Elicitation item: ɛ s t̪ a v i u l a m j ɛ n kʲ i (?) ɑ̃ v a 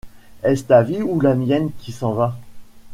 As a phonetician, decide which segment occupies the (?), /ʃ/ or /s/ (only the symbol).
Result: s